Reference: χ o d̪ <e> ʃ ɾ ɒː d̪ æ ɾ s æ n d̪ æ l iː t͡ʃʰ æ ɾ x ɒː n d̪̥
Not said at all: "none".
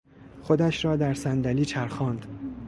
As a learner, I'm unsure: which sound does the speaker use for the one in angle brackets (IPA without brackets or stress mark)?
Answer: æ